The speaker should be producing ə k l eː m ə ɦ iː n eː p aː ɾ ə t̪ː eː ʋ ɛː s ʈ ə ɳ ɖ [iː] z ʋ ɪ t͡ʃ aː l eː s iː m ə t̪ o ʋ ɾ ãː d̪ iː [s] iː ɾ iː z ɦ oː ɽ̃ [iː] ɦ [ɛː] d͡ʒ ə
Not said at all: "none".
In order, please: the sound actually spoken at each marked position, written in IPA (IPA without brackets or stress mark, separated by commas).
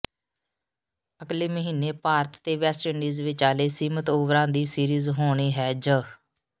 iː, s, iː, ɛː